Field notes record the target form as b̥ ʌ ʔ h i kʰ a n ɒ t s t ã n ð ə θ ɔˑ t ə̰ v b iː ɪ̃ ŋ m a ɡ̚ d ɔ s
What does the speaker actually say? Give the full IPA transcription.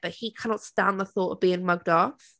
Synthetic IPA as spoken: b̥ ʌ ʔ h i kʰ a n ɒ t s t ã n ð ə θ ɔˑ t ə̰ v b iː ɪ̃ ŋ m ʌ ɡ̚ d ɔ f